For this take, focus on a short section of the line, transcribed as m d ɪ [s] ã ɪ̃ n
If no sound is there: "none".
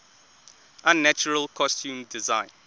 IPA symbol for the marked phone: z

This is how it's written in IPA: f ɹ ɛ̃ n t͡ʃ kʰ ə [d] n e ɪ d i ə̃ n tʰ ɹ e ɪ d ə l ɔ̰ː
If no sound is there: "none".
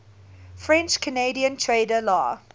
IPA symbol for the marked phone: none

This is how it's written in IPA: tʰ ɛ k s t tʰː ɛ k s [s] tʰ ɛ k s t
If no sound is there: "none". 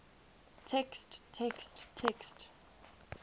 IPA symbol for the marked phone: t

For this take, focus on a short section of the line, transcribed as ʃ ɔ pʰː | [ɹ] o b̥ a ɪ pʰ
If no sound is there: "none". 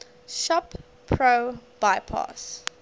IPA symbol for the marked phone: ɹ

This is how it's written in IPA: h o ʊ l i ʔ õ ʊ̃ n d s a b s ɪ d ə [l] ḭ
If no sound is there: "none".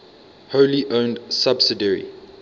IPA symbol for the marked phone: ɹ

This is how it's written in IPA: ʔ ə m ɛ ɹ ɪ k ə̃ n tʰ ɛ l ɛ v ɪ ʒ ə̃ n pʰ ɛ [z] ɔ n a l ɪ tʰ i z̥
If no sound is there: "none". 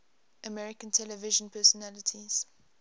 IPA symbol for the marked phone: s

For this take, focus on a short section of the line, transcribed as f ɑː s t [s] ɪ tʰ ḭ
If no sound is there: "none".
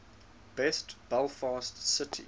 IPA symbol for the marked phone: s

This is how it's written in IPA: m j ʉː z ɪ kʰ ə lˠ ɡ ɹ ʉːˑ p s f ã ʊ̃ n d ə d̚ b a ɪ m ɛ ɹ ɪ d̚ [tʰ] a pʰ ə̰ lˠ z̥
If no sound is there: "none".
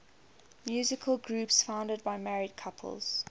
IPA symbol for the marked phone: kʰ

